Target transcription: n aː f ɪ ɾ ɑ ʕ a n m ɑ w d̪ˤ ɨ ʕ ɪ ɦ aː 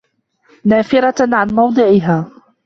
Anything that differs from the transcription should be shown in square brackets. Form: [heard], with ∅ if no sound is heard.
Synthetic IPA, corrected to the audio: n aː f ɪ ɾ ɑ ʕ a n m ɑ w d̪ˤ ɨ ʕ ɪ ɦ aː